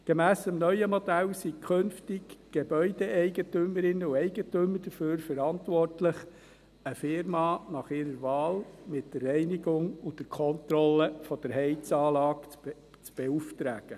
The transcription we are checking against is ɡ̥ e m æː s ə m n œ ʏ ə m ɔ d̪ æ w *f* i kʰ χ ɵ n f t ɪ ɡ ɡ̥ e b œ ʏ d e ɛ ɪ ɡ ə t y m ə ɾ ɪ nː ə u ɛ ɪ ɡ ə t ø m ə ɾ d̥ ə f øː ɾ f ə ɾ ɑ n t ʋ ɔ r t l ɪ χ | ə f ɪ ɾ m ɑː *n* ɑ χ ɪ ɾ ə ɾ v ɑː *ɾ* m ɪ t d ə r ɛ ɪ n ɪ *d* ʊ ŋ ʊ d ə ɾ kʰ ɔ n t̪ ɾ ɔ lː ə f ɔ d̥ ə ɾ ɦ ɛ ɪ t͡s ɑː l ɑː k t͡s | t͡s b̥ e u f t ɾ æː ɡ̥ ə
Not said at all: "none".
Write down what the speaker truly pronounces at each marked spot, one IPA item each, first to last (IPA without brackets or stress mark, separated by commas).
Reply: s, n, l, ɡ